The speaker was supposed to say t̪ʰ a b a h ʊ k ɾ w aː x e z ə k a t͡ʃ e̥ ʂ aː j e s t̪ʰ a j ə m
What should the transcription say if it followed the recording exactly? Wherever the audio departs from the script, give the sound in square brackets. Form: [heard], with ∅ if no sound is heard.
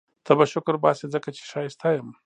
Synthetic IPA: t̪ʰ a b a [ʃ] ʊ k ɾ [b] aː [s] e z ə k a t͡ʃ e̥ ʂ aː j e s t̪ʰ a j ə m